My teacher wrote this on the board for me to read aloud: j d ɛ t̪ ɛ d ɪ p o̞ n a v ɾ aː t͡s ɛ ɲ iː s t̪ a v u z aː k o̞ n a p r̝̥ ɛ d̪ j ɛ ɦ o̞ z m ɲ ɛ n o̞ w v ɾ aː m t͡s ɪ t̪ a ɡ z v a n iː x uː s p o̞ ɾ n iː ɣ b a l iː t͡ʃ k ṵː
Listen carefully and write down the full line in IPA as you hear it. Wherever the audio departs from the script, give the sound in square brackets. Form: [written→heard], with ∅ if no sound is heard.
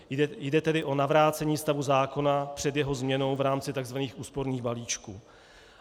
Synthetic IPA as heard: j d ɛ t̪ ɛ d ɪ [p→ʔ] o̞ n a v ɾ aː t͡s ɛ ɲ iː s t̪ a v u z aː k o̞ n a p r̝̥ ɛ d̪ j ɛ ɦ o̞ z m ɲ ɛ n o̞ w v ɾ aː m t͡s ɪ t̪ a ɡ z v a n iː x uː s p o̞ ɾ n iː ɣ b a l iː t͡ʃ k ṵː